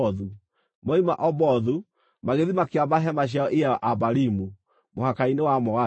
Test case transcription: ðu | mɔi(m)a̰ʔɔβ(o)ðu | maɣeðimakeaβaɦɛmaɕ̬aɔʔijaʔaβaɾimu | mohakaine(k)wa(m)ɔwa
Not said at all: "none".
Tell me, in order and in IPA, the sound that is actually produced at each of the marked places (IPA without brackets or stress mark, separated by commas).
m, ɔ, none, m